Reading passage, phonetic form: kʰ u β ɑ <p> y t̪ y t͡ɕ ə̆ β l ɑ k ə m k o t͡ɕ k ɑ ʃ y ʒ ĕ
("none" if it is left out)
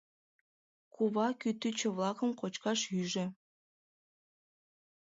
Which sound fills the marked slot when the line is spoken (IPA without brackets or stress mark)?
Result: k